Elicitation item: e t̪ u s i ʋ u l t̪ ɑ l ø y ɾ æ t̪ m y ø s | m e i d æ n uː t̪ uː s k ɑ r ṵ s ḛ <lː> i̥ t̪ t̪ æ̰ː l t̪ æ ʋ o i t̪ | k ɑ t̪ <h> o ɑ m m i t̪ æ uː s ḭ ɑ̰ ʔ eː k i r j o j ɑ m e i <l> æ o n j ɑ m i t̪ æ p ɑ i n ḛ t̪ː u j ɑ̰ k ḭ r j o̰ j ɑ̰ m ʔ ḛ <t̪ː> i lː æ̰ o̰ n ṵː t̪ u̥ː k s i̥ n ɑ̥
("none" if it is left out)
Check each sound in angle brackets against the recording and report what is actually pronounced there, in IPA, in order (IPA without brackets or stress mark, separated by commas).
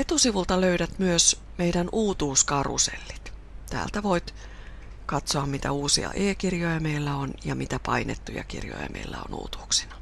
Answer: lː, s, lː, none